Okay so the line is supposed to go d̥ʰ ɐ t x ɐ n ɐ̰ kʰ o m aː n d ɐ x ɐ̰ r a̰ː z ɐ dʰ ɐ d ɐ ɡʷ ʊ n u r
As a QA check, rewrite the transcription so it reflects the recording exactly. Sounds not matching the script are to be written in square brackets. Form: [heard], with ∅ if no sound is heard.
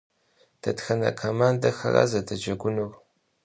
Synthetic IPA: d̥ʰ ɐ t x ɐ n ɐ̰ kʰ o m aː n d ɐ x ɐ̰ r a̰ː z ɐ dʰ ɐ [d͡ʒ] ɐ ɡʷ ʊ n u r